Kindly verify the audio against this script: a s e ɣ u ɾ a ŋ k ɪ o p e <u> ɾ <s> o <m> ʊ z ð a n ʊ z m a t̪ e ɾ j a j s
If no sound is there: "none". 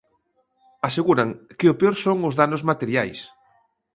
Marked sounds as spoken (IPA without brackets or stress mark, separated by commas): o, s, ŋ